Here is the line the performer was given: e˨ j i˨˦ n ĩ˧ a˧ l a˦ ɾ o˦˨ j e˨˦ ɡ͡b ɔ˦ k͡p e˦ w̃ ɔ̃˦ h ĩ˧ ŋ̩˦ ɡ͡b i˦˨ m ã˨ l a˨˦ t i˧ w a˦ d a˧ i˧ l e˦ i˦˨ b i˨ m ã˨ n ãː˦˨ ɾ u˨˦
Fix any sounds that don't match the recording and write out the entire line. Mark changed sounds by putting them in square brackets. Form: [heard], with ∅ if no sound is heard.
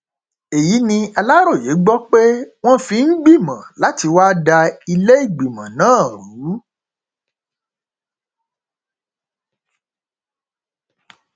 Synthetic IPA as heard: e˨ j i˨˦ n ĩ˧ a˧ l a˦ ɾ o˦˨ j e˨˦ ɡ͡b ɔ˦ k͡p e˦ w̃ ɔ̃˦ [f] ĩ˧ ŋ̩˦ ɡ͡b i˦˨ m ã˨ l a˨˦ t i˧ w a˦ d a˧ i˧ l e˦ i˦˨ [ɡ͡b] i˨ m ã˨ n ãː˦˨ ɾ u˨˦